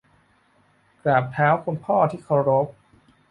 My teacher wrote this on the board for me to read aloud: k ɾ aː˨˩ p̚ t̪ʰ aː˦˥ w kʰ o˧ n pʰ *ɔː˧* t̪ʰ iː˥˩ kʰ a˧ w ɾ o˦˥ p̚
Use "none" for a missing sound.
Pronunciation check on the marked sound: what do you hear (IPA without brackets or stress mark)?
ɔː˥˩